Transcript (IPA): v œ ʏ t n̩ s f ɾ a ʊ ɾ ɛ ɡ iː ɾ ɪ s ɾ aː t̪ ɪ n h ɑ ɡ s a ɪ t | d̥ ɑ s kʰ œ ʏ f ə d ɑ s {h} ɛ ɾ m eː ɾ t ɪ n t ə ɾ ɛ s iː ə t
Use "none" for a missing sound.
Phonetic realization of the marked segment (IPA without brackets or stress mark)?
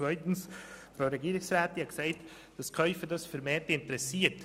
f